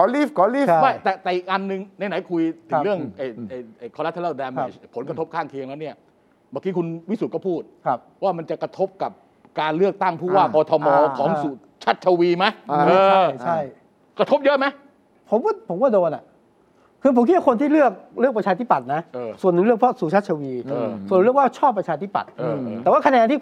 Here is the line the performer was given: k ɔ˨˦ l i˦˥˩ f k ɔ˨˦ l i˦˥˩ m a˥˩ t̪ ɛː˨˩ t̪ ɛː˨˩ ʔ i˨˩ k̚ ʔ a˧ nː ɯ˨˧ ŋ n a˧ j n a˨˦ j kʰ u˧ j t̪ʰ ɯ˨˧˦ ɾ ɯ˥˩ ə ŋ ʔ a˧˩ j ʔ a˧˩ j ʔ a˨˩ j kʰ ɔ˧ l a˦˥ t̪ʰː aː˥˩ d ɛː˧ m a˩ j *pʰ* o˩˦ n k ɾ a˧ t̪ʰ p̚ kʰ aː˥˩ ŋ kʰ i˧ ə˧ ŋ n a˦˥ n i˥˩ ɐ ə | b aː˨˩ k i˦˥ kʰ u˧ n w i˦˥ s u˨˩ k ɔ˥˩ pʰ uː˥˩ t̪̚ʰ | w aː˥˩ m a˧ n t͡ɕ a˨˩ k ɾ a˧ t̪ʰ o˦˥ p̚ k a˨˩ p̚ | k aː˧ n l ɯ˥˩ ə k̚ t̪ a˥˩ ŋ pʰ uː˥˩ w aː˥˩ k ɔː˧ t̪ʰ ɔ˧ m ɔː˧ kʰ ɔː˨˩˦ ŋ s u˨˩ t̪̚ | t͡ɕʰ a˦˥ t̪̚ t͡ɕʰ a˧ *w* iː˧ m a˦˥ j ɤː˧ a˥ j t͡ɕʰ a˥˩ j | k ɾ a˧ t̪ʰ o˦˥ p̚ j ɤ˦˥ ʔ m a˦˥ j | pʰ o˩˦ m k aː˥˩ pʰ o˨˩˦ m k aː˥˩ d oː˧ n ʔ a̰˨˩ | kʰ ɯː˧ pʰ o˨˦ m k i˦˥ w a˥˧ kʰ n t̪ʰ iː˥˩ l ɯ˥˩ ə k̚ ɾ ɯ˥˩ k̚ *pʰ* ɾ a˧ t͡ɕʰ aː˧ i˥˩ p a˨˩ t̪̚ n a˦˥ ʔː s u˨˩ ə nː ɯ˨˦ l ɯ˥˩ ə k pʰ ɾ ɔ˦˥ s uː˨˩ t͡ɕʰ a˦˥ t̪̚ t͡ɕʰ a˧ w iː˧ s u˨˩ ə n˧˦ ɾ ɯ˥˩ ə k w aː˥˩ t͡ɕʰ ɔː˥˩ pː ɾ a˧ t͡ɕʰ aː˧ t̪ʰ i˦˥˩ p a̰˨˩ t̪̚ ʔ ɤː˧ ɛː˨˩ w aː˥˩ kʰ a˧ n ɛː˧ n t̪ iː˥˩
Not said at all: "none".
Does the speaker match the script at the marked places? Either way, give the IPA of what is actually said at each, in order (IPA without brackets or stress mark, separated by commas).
pʰ, w, p